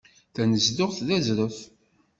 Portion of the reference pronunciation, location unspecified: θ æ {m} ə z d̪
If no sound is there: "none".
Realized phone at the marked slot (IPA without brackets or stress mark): n